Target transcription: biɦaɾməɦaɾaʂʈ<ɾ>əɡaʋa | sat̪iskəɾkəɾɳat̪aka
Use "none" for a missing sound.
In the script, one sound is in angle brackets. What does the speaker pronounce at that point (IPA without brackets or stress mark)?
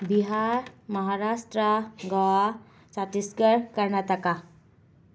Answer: ɾ